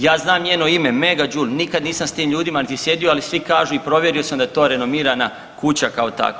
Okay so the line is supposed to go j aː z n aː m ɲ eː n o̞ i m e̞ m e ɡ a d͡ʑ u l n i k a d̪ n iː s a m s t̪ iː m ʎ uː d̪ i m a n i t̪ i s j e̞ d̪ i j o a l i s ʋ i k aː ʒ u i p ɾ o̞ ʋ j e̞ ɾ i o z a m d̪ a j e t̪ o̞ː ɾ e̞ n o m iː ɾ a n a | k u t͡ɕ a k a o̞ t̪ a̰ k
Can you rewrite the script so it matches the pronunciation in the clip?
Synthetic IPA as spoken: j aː z n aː m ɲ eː n o̞ i m e̞ m e ɡ a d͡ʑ u l n i k a d̪ n iː s a m s t̪ iː m ʎ uː d̪ i m a n i t̪ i s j e̞ d̪ i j o a l i s ʋ i k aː ʒ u i p ɾ o̞ ʋ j e̞ ɾ i o s a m d̪ a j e t̪ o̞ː ɾ e̞ n o m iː ɾ a n a | k u t͡ɕ a k a o̞ t̪ a̰ k